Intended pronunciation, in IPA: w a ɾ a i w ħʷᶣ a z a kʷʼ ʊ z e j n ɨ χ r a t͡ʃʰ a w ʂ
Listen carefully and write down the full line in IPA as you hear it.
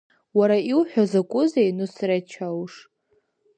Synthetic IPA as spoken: w a ɾ a i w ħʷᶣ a z a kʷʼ ʊ z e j n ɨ s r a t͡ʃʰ a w ʂ